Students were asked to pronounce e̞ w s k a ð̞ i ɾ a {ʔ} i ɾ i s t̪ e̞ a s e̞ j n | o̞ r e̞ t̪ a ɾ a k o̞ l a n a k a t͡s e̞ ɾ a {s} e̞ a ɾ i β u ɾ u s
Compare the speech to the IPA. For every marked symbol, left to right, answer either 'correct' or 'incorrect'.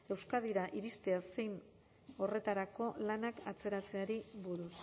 correct, incorrect: t͡s

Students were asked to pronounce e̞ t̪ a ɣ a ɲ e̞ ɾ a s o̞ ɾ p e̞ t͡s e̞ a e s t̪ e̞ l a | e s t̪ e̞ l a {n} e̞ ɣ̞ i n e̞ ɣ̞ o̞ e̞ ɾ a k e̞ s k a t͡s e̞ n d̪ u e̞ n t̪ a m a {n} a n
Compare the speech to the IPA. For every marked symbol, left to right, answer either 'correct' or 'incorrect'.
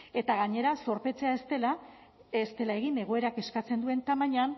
incorrect: none, incorrect: ɲ

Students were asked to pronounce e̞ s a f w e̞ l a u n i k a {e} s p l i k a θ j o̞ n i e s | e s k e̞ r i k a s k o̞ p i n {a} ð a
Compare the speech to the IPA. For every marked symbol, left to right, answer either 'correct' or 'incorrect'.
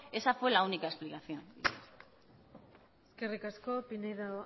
correct, incorrect: e

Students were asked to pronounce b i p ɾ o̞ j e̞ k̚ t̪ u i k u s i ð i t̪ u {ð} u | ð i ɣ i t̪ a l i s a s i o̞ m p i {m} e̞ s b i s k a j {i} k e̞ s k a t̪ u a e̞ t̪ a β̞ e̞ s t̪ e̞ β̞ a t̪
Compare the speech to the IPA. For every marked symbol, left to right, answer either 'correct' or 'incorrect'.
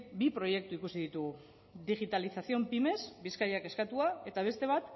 incorrect: ɣ, correct, incorrect: a

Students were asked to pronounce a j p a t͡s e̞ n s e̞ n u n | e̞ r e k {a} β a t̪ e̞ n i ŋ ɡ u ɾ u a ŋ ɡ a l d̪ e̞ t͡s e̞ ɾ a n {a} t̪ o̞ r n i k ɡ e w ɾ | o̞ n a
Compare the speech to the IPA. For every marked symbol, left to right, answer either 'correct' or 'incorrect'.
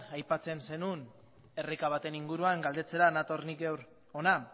correct, correct

